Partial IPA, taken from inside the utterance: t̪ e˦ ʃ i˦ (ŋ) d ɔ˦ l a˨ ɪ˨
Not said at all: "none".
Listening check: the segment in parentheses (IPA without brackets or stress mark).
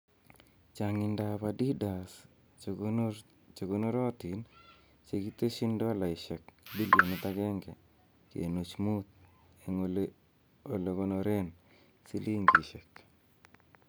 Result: n